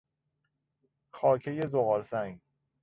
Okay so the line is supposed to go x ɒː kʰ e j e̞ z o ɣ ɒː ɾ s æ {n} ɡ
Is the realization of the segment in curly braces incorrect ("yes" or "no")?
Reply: yes